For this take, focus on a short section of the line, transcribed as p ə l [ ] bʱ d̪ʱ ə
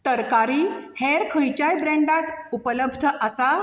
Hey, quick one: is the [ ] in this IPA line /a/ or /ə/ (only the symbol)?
ə